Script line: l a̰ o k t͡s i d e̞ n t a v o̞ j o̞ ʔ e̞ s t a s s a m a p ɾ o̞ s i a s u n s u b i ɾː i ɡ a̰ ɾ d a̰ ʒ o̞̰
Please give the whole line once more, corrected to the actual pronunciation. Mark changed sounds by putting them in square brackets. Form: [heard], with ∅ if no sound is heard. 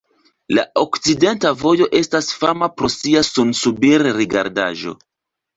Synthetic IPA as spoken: l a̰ o k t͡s i d e̞ n t a v o̞ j o̞ ʔ e̞ s t a s [f] a m a p ɾ o̞ s i a s u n s u b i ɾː i ɡ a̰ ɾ d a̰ ʒ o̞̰